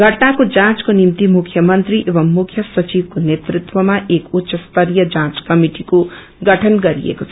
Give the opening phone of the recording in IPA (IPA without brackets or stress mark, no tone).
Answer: ɡʱ